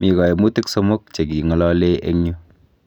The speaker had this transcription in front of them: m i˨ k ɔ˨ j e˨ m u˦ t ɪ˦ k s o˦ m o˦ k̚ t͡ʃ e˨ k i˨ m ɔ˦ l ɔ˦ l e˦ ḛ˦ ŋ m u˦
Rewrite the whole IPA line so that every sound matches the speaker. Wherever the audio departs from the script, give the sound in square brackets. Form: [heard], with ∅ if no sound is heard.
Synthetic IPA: m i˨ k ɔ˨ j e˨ m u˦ t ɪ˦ k s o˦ m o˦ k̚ t͡ʃ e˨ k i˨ [ŋ] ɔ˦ l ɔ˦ l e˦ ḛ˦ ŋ [ɲ] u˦